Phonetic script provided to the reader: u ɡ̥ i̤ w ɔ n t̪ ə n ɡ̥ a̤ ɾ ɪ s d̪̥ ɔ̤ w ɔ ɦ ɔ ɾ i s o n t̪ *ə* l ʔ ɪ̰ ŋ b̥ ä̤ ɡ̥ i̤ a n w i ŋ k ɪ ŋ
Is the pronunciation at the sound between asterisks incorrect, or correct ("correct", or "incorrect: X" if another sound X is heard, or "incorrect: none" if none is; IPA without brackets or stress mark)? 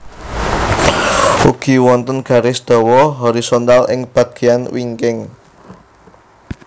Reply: incorrect: a